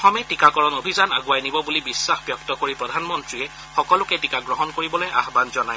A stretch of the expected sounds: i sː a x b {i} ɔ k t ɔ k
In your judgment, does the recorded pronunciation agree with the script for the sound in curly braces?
no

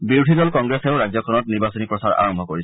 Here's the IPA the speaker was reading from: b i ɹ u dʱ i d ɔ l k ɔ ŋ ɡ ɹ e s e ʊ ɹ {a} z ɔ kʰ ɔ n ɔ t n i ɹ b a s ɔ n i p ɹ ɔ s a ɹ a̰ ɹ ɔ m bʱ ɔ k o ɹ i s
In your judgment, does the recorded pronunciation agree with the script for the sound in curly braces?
yes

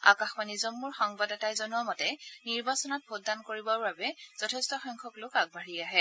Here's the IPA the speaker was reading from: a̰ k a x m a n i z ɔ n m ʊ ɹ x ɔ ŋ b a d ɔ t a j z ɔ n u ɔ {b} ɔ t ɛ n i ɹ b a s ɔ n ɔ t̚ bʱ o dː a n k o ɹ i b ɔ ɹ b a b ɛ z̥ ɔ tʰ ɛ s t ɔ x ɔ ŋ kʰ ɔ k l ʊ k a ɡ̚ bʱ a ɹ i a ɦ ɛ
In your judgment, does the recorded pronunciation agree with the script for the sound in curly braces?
no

